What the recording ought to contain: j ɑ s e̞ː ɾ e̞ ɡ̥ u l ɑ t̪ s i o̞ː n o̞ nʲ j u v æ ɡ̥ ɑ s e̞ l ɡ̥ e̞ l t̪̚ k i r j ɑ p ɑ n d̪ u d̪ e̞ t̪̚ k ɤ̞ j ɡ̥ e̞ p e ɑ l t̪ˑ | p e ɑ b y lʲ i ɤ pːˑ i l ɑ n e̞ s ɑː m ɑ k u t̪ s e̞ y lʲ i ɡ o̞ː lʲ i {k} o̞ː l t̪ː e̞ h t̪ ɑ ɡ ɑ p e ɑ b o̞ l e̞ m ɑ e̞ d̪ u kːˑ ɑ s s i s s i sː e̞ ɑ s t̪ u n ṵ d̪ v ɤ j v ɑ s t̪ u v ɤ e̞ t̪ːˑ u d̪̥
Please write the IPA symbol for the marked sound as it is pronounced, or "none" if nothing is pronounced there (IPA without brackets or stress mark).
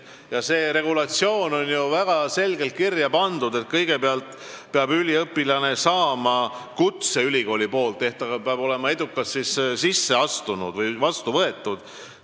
p